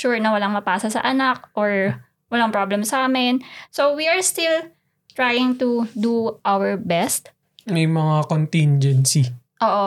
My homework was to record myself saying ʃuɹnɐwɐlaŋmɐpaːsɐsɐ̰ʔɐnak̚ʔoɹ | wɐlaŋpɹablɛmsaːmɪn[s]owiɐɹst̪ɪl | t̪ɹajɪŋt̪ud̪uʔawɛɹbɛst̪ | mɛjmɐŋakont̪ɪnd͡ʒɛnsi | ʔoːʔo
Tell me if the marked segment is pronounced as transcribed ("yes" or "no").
yes